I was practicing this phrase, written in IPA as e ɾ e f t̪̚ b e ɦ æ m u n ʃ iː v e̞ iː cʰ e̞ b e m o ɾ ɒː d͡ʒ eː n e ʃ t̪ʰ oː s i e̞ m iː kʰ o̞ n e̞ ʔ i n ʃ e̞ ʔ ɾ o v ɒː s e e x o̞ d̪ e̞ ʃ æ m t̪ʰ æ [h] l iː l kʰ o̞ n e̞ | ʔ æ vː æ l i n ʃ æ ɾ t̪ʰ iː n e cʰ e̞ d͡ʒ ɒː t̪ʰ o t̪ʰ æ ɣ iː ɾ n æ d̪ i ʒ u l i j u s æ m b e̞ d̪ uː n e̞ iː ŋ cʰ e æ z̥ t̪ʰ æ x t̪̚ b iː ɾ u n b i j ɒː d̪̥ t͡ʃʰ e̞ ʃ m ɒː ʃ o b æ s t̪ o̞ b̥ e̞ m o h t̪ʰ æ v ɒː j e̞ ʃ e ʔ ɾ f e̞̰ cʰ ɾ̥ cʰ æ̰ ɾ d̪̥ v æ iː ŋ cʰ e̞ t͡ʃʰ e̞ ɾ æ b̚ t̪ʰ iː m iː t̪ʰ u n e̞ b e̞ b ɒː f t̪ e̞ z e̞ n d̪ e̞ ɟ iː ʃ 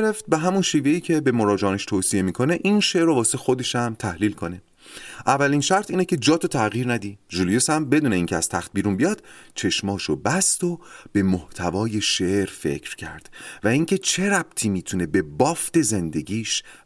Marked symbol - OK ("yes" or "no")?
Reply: yes